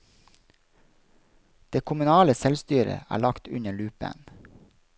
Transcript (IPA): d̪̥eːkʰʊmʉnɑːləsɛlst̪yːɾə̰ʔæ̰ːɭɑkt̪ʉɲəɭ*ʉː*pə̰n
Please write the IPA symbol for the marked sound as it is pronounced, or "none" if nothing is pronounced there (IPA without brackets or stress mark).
ʉː